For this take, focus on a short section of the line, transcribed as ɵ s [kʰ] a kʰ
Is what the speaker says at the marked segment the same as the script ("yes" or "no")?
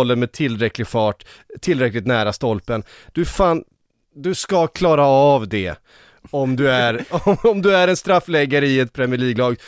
no